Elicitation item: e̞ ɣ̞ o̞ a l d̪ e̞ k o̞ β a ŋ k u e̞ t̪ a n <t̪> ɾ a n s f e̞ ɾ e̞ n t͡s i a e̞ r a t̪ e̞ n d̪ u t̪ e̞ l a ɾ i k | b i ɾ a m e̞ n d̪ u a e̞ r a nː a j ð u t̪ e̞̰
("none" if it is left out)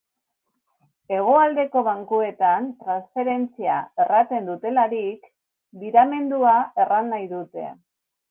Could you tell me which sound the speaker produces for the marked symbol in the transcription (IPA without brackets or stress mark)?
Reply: t̪